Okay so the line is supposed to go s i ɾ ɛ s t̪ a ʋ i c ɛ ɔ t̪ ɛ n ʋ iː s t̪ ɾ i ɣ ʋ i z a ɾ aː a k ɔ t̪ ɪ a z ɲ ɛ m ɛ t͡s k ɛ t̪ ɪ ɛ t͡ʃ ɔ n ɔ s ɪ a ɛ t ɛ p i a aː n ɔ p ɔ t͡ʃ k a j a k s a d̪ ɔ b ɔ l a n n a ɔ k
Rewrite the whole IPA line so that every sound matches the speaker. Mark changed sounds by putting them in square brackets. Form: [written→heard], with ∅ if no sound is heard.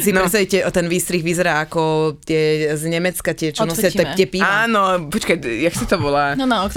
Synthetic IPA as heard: s i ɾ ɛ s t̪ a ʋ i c ɛ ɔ t̪ ɛ n ʋ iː s t̪ ɾ i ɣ ʋ i z [a→ɛ] ɾ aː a k ɔ t̪ ɪ [a→ɛ] z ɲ ɛ m ɛ t͡s k [ɛ→a] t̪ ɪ ɛ t͡ʃ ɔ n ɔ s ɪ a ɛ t ɛ p i a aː n ɔ p ɔ t͡ʃ k a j a k s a [d̪→t̪] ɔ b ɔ l a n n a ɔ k